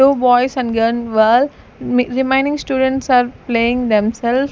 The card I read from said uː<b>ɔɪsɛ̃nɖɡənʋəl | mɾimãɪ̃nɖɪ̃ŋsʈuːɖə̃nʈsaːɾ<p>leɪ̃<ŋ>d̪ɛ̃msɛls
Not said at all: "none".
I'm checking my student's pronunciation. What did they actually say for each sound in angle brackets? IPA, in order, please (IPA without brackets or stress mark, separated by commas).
b, p, ŋ